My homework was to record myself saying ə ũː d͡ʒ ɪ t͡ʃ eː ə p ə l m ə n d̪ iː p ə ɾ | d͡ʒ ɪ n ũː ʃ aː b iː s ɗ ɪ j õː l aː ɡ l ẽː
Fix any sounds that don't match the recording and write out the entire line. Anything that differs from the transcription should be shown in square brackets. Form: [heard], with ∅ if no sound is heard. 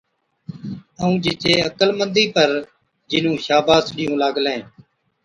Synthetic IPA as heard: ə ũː d͡ʒ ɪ t͡ʃ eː ə [k] ə l m ə n d̪ iː p ə ɾ | d͡ʒ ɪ n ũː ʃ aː b [aː] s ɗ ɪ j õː l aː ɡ l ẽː

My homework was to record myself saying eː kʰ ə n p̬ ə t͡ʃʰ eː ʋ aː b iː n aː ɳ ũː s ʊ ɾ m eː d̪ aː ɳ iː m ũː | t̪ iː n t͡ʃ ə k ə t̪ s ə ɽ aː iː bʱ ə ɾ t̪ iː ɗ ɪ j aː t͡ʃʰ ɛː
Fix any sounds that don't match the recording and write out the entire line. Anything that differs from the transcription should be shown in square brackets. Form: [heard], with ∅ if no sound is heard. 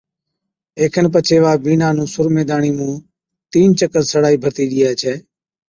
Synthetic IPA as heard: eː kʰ ə n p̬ ə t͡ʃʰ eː ʋ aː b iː n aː [n] ũː s ʊ ɾ m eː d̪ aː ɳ iː m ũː | t̪ iː n t͡ʃ ə k ə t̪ s ə ɽ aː iː bʱ ə ɾ t̪ iː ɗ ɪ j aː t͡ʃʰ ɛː

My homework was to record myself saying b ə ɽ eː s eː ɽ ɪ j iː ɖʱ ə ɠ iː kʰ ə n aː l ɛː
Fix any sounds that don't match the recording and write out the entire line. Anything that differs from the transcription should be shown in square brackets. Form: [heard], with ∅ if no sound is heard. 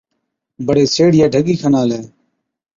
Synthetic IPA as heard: b ə ɽ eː s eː ɽ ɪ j [aː] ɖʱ ə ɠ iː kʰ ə n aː l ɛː

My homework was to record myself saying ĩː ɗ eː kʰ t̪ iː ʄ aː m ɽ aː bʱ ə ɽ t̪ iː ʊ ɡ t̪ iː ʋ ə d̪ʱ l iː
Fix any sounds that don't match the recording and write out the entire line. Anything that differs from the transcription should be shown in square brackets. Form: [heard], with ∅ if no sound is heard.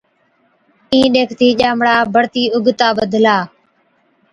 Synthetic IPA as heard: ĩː ɗ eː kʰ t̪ iː ʄ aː m ɽ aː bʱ ə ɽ t̪ iː ʊ ɡ t̪ [aː] ʋ ə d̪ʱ l [aː]

